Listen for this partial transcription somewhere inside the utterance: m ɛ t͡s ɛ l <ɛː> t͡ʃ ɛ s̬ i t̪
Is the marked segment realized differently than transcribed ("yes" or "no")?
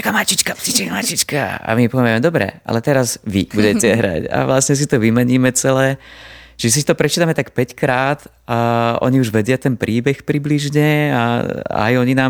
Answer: no